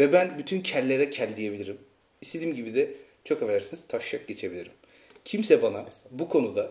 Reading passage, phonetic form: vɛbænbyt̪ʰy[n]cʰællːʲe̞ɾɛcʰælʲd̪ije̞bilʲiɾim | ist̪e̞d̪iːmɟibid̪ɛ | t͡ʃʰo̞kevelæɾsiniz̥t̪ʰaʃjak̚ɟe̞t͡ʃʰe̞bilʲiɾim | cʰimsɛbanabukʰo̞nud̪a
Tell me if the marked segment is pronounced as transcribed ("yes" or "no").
yes